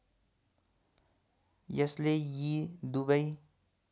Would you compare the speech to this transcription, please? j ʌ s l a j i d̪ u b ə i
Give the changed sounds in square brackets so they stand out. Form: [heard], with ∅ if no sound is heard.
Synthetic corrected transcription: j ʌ s l [e] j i d̪ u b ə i